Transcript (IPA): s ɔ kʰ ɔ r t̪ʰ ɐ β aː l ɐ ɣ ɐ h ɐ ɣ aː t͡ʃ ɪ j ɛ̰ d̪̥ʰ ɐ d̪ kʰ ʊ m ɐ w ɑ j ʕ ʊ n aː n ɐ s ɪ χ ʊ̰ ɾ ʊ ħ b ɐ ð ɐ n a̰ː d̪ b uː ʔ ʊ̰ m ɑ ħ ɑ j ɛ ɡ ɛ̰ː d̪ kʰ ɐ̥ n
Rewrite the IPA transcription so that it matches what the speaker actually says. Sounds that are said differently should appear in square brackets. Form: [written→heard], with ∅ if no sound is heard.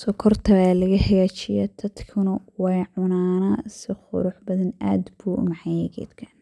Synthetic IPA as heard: s ɔ kʰ ɔ r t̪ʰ ɐ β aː l ɐ ɣ ɐ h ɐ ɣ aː t͡ʃ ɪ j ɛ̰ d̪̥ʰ ɐ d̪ kʰ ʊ [m→n] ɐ w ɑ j ʕ ʊ n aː n ɐ s ɪ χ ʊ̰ ɾ ʊ ħ b ɐ ð ɐ n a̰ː d̪ b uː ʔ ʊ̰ m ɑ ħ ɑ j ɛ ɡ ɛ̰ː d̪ kʰ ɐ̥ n